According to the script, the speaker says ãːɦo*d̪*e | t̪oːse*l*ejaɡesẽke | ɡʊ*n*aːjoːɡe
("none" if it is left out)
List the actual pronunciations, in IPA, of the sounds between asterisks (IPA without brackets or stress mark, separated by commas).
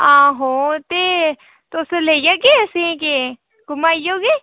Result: t̪, l, m